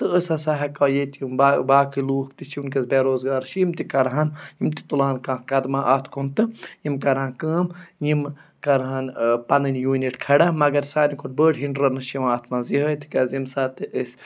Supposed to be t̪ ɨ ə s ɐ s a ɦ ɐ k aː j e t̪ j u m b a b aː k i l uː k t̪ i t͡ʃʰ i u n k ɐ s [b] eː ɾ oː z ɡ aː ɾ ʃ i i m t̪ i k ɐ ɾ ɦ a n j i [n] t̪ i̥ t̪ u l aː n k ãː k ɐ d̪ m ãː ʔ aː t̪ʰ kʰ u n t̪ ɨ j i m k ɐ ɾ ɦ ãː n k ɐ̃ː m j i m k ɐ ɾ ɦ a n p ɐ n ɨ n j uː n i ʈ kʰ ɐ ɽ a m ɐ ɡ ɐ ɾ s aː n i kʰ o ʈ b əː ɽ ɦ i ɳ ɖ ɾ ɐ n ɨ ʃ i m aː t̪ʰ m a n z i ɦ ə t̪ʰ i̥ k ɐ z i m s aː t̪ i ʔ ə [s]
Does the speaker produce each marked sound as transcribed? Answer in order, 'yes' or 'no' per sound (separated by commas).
yes, no, yes